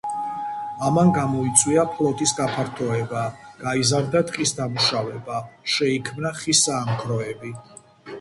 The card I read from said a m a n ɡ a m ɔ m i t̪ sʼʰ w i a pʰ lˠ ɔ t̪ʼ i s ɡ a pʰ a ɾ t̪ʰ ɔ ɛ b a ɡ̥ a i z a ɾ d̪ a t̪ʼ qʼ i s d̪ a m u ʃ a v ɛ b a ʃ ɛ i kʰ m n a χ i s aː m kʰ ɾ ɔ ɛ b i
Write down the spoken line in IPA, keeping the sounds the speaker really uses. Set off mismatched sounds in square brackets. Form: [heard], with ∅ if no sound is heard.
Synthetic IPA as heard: a m a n ɡ a m ɔ [∅] i t̪ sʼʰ w i a pʰ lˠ ɔ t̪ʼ i s ɡ a pʰ a ɾ t̪ʰ ɔ ɛ b a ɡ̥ a i z a ɾ d̪ a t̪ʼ qʼ i s d̪ a m u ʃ a v ɛ b a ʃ ɛ i kʰ m n a χ i s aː m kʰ ɾ ɔ ɛ b i